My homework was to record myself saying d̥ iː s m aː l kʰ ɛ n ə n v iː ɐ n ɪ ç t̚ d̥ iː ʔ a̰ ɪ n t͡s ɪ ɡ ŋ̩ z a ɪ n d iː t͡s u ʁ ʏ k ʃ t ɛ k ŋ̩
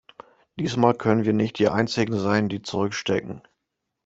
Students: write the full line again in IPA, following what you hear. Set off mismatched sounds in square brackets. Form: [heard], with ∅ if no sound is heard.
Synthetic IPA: d̥ iː s m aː l kʰ [œ] n ə n v iː ɐ n ɪ ç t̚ d̥ iː ʔ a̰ ɪ n t͡s ɪ ɡ ŋ̩ z a ɪ n d iː t͡s u ʁ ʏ k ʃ t ɛ k ŋ̩